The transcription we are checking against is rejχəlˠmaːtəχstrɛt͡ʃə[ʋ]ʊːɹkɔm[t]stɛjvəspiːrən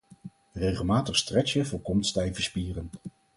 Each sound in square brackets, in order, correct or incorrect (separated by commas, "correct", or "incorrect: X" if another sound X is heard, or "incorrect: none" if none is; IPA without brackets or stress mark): incorrect: v, correct